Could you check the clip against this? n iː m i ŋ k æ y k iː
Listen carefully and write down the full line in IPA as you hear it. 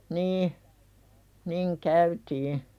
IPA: n iː n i ŋ k æ y t iː